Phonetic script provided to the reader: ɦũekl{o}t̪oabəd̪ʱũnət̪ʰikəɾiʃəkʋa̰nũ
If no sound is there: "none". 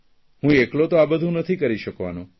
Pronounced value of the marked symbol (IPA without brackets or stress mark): o